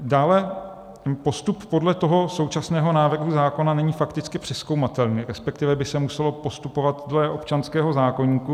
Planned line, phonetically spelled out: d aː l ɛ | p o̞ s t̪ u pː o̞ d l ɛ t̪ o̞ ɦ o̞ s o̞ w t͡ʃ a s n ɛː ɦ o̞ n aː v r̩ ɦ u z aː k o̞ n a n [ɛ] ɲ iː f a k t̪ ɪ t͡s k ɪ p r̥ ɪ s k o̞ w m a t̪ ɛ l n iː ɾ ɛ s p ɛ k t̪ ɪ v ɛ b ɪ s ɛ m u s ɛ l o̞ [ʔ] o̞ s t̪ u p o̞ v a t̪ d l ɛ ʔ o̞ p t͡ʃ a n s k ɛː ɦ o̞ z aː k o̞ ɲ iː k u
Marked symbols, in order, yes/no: yes, no

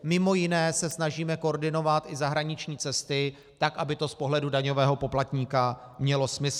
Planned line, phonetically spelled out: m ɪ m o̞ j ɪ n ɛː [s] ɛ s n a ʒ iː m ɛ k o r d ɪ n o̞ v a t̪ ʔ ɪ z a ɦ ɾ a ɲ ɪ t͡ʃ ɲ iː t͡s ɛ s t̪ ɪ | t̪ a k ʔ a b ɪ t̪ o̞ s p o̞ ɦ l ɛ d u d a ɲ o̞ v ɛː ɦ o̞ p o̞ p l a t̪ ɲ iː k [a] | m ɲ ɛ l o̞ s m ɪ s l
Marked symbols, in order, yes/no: yes, yes

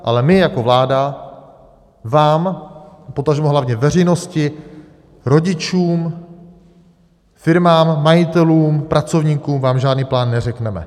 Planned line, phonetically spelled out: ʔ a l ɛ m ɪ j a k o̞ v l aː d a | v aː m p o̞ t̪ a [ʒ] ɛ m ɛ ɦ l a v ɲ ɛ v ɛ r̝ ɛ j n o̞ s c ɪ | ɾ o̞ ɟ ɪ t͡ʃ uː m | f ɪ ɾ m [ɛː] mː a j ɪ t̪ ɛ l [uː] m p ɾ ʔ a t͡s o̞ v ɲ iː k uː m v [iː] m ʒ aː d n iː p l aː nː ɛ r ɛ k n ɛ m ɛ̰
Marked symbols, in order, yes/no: yes, no, yes, no

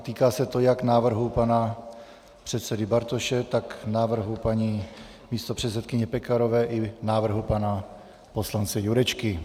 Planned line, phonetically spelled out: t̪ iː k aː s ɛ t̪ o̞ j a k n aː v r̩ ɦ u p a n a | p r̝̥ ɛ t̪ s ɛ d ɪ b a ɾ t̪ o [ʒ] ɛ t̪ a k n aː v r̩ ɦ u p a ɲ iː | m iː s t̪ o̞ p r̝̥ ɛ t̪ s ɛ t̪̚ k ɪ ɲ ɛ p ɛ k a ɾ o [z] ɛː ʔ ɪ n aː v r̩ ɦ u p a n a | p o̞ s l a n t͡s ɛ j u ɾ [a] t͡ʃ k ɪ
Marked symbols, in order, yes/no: no, no, no

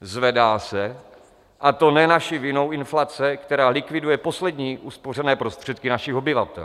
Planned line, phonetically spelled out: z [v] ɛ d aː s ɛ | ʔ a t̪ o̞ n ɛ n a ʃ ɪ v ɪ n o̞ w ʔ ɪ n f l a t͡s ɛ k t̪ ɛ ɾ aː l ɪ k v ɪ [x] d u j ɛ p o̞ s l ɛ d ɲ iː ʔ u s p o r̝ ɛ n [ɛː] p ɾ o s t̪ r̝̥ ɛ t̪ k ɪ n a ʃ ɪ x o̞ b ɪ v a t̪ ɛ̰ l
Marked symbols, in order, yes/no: yes, no, yes

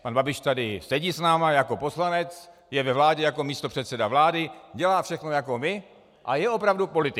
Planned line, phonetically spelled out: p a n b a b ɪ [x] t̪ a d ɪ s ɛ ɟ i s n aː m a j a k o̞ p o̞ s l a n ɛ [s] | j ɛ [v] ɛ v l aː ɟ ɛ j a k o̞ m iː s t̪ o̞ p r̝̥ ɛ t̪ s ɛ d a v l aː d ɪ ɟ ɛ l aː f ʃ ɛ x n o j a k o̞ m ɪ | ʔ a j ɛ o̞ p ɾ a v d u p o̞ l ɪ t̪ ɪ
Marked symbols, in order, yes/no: no, no, yes

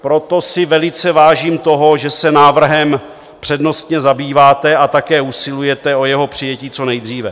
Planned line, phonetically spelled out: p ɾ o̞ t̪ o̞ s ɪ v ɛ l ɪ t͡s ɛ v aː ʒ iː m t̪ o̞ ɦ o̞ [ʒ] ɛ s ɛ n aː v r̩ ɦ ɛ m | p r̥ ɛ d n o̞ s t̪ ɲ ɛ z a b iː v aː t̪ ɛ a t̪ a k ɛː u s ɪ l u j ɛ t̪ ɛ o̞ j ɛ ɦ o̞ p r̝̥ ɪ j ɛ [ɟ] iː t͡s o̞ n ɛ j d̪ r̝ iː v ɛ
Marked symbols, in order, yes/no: yes, no

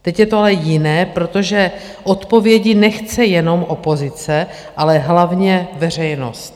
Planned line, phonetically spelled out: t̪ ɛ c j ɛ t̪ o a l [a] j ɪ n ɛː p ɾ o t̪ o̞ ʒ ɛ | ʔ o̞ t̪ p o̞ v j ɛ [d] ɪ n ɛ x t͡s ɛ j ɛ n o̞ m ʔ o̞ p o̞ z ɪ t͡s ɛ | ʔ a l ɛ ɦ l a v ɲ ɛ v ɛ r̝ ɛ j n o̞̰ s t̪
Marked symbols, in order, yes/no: no, no

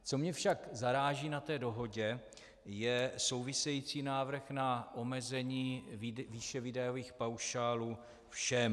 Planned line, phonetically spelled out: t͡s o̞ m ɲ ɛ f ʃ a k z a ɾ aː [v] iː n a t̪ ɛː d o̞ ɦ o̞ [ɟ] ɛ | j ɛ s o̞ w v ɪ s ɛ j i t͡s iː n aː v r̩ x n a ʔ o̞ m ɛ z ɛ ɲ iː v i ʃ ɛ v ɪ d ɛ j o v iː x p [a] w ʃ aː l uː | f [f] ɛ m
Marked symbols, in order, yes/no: no, yes, yes, no

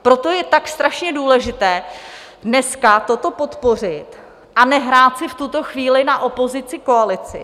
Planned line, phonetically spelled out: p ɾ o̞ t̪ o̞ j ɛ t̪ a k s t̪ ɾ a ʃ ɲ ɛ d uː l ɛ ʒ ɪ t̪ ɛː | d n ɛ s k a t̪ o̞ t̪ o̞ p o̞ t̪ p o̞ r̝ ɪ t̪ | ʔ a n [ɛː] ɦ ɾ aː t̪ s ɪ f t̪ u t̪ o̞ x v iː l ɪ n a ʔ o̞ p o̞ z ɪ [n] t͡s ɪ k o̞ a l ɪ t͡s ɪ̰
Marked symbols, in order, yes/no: no, no

